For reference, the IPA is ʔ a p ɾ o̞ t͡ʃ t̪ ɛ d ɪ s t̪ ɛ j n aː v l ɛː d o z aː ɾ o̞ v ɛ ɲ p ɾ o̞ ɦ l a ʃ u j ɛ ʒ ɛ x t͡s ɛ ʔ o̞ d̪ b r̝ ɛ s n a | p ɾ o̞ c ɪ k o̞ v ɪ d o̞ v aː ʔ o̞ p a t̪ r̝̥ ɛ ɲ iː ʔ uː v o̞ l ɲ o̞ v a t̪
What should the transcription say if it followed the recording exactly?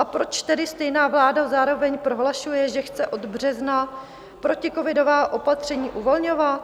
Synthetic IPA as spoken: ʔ a p ɾ o̞ t͡ʃ t̪ ɛ d ɪ s t̪ ɛ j n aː v l aː d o z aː ɾ o̞ v ɛ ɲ p ɾ o̞ ɦ l a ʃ u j ɛ ʒ ɛ x t͡s ɛ ʔ o̞ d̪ b r̝ ɛ z n a | p ɾ o̞ c ɪ k o̞ v ɪ d o̞ v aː ʔ o̞ p a t̪ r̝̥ ɛ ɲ iː ʔ u v o̞ l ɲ o̞ v a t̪